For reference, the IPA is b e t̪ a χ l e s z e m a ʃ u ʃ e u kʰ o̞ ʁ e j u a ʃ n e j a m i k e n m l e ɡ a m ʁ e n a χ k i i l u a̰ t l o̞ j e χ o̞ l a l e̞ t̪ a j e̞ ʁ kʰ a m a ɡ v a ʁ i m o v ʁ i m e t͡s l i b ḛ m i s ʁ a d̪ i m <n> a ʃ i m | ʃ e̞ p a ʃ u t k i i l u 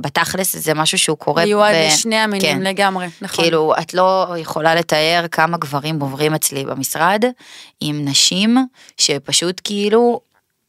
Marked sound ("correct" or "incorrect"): correct